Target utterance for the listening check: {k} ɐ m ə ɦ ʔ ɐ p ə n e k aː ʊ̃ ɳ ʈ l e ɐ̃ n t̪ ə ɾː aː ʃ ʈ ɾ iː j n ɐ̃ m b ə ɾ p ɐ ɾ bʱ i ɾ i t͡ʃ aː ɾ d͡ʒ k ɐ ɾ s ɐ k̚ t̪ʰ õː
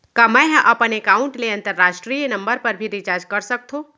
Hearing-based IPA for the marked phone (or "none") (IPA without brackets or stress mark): k